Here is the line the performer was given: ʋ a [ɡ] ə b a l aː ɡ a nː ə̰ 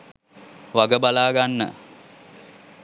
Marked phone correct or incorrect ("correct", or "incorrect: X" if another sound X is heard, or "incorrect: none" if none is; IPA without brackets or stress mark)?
correct